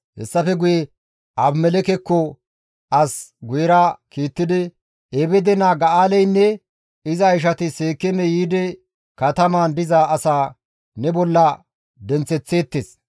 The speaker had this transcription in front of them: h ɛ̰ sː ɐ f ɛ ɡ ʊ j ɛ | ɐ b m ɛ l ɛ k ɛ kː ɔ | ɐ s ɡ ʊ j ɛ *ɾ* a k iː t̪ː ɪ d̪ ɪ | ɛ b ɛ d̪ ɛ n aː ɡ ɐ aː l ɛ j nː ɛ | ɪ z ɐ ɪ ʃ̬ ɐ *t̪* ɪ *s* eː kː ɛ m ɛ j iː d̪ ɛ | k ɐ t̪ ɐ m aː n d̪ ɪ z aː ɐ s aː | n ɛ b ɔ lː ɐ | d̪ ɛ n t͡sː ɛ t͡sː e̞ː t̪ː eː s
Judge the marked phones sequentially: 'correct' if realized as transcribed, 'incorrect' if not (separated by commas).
correct, correct, correct